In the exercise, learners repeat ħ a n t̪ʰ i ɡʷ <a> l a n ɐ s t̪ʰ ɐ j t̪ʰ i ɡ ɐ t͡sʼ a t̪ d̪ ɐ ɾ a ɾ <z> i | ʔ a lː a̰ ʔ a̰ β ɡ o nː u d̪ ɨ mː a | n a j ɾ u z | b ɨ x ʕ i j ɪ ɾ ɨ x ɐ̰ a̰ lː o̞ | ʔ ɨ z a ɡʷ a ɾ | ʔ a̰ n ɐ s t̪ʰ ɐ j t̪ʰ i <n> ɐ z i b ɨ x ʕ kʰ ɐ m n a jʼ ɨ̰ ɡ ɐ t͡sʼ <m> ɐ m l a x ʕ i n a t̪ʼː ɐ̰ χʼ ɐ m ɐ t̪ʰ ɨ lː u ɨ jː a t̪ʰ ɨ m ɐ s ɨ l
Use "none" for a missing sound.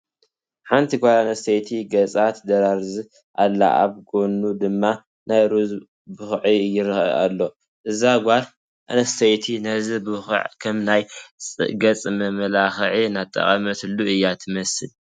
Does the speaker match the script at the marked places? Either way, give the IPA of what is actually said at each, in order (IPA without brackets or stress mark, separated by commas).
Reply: a, z, n, m